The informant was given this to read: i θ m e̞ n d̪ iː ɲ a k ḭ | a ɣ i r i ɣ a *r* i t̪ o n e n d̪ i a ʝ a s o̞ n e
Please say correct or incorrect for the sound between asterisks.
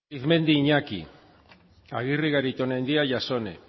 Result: incorrect